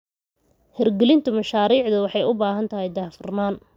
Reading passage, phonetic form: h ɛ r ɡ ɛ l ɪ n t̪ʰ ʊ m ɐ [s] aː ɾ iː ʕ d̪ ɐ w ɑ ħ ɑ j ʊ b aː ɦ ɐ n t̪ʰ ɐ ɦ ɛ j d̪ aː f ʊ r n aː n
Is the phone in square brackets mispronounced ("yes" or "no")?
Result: yes